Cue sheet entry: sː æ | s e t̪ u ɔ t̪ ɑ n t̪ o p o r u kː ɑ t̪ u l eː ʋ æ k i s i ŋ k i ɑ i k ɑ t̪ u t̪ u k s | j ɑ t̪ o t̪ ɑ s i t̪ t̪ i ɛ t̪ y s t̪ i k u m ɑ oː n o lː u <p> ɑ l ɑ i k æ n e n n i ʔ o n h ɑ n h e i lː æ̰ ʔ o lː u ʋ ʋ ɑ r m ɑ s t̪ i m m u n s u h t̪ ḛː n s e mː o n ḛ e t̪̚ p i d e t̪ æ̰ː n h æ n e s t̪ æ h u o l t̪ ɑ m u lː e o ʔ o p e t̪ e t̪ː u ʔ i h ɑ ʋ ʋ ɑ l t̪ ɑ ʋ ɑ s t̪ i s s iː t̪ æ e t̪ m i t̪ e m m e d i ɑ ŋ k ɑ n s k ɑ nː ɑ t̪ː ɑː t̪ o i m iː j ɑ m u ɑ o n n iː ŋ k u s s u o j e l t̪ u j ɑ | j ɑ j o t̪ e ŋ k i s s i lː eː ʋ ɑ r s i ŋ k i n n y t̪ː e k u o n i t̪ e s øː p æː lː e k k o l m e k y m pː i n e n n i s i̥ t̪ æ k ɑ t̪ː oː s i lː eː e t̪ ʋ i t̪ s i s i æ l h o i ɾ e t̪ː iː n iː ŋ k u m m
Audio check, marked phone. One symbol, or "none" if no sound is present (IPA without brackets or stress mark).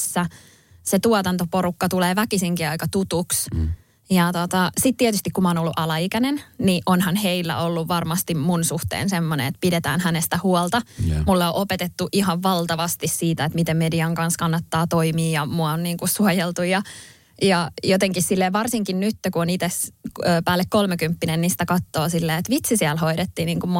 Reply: ʔ